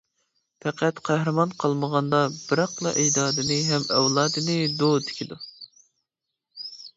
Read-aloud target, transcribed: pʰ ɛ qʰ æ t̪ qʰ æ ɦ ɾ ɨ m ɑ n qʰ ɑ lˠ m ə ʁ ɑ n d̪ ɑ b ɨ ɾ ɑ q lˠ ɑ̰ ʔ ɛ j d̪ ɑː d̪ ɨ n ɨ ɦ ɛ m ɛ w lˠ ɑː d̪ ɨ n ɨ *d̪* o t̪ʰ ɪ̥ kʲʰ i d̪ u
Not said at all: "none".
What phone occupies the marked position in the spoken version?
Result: d̪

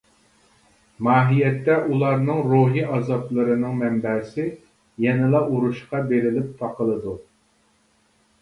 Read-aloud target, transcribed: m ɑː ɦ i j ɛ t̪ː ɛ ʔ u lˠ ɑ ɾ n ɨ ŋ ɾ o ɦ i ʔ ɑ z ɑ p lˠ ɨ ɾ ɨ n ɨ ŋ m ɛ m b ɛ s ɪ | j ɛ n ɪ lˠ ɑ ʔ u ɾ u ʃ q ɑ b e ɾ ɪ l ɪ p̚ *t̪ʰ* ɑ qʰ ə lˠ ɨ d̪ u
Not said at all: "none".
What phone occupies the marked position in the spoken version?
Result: t̪ʰ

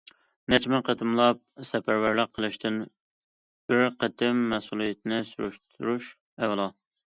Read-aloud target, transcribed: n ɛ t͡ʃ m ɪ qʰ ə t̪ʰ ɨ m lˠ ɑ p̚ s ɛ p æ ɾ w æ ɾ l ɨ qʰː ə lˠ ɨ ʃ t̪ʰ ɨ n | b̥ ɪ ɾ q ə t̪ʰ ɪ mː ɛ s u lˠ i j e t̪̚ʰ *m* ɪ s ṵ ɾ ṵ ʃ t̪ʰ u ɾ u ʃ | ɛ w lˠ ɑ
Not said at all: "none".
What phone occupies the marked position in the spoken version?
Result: n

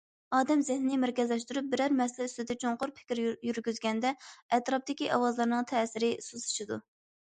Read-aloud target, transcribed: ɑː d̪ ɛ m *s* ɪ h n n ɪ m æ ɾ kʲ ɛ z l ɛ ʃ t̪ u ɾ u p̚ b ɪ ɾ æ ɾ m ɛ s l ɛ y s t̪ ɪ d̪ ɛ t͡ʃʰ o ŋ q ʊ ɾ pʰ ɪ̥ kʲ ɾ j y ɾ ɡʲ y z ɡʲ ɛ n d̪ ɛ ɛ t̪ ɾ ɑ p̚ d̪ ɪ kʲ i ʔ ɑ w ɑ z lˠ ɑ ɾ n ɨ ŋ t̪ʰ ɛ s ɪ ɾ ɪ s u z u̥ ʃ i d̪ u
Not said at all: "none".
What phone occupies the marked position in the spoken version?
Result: z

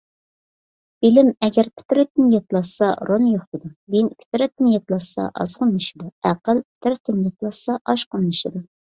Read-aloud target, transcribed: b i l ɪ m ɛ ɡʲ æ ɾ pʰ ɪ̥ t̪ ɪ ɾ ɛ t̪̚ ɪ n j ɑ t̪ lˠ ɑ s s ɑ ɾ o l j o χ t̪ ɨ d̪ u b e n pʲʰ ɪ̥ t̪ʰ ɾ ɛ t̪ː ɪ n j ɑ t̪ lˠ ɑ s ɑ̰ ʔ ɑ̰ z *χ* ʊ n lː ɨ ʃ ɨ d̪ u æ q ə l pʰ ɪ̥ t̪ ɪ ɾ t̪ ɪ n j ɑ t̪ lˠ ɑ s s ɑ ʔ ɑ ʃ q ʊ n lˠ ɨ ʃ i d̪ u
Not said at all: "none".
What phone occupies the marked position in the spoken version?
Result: ʁ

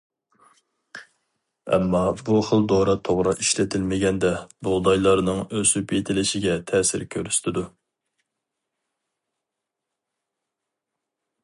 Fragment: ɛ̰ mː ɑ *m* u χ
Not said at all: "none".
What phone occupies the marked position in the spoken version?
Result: b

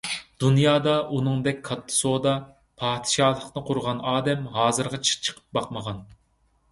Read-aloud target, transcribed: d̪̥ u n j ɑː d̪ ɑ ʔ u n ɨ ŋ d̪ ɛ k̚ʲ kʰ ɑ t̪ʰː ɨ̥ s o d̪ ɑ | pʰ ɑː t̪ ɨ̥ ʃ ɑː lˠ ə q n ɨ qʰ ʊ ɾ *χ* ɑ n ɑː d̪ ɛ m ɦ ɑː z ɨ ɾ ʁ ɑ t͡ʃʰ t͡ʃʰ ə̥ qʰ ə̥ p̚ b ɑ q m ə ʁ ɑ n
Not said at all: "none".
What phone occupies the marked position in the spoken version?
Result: ʁ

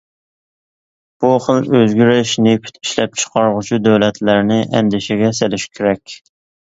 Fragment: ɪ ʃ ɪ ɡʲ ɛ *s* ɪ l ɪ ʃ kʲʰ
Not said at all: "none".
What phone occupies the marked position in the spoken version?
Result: s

